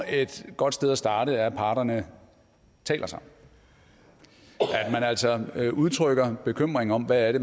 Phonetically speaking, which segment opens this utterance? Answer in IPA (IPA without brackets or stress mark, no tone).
e̝